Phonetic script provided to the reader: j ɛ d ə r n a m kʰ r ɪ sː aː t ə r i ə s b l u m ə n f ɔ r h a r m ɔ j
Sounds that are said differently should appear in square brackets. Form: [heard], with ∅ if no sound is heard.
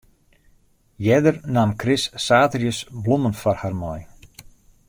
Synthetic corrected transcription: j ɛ d ə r n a m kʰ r ɪ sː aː t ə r [j] ə s b l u m ə n f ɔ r h a r m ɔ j